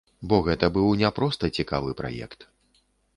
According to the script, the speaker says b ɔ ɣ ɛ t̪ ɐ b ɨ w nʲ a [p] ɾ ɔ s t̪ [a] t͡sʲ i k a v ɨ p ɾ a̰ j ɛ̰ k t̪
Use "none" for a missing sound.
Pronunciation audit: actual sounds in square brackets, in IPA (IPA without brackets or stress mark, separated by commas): p, ɐ